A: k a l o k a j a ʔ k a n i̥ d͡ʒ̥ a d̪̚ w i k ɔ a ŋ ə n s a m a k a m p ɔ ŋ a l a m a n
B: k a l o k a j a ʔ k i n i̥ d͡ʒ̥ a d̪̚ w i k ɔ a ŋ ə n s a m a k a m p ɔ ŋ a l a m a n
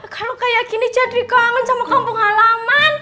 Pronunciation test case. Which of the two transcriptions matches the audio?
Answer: B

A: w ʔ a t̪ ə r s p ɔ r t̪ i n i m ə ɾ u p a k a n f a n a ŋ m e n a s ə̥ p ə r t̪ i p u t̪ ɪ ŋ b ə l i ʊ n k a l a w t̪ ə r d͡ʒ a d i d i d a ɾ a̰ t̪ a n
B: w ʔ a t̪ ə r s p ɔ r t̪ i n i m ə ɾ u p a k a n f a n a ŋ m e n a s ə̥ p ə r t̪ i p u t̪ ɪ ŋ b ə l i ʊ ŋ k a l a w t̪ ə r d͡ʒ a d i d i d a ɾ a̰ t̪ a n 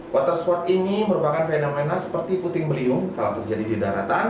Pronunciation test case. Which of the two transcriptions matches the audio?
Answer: B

